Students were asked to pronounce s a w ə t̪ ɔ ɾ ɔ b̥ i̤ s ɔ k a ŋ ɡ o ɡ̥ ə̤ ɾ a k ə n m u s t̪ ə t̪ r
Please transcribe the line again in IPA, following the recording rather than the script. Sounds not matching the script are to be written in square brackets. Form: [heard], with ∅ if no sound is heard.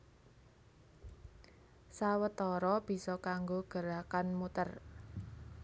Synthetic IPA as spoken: s a w ə t̪ ɔ ɾ ɔ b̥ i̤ s ɔ k a ŋ ɡ o ɡ̥ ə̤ ɾ a k [a] n m u [∅] t̪ ə [∅] r